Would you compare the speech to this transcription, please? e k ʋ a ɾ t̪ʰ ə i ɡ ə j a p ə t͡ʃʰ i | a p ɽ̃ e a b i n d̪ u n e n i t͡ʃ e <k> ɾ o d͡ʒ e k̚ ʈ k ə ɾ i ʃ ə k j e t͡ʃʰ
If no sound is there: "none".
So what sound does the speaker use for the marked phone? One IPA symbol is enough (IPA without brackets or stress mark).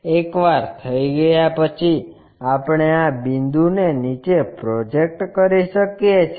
p